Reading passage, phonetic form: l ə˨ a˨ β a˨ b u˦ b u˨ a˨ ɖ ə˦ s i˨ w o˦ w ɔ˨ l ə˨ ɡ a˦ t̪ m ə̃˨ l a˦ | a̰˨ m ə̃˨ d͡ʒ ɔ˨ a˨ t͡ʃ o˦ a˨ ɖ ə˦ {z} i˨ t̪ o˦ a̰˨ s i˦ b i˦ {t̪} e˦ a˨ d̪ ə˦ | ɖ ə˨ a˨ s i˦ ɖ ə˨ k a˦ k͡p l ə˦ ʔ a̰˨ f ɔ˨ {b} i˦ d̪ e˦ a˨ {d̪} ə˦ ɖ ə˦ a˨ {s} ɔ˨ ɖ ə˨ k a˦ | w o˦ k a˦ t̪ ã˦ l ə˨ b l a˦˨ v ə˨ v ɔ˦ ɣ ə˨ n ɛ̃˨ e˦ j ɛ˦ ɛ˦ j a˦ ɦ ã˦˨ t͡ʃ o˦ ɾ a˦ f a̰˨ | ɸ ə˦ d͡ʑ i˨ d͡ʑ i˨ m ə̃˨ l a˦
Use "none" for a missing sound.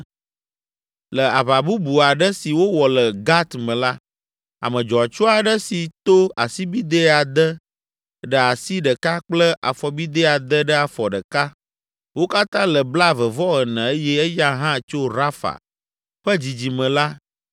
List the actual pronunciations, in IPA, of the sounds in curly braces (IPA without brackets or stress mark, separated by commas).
s, d̪, b, d̪, f